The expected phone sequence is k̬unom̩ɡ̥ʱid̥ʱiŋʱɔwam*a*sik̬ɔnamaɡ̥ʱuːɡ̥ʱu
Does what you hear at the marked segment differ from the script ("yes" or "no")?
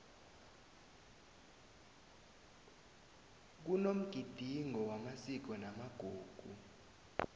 no